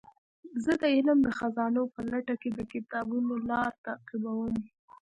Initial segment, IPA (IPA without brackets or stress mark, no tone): z